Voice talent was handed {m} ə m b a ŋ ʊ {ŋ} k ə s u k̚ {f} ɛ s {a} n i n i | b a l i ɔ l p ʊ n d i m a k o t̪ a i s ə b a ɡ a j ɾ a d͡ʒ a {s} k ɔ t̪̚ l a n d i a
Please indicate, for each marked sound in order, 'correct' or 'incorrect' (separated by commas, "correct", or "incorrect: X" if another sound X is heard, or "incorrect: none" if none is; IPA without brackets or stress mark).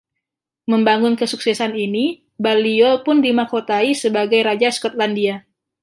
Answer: correct, incorrect: n, incorrect: s, correct, correct